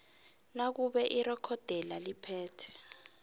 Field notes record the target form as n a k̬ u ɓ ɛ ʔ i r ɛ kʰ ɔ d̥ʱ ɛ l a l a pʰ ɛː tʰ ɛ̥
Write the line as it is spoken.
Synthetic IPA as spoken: n a k̬ u ɓ ɛ ʔ i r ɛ kʰ ɔ d̥ʱ ɛ l a l i pʰ ɛː tʰ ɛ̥